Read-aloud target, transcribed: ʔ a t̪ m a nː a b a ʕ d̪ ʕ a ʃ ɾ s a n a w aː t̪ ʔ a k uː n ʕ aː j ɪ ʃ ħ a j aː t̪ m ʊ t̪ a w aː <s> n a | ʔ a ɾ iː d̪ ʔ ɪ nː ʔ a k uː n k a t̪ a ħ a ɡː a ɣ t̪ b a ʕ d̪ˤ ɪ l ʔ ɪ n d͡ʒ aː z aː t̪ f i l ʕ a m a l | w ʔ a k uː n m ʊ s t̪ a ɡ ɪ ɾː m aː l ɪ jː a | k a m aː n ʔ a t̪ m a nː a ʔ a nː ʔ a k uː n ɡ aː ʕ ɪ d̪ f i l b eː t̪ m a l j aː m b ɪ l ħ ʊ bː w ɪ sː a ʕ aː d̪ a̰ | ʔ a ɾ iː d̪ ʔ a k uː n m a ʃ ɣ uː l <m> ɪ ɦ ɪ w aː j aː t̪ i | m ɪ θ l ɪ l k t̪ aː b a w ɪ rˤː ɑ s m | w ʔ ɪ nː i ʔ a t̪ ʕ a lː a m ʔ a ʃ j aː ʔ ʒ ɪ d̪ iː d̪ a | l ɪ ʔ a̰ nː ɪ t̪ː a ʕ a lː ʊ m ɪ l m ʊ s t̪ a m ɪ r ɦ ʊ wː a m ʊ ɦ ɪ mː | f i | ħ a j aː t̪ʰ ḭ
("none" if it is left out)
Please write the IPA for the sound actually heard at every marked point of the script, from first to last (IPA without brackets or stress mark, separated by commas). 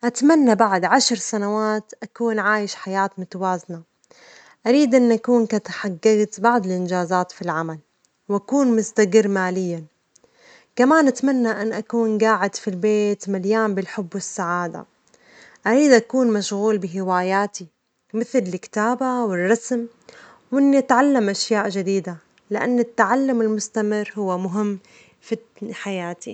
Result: z, b